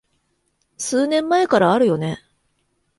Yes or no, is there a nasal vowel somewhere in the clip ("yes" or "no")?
yes